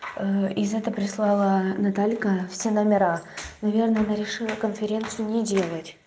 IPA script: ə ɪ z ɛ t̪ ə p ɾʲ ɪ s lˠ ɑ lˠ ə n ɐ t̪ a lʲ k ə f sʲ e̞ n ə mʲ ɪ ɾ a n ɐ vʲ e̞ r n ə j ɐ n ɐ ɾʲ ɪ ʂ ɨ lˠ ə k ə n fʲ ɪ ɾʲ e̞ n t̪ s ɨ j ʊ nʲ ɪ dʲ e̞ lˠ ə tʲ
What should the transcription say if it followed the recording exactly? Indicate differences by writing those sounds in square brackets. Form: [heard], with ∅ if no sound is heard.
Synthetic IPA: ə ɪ z ɛ t̪ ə p ɾʲ ɪ s lˠ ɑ lˠ ə n ɐ t̪ a lʲ k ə f sʲ e̞ n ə mʲ ɪ ɾ a n ɐ vʲ e̞ r n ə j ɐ n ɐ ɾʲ ɪ ʂ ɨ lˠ ə k ə n fʲ ɪ ɾʲ e̞ n t̪ s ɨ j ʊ nʲ ɪ dʲ e̞ lˠ ə tʲ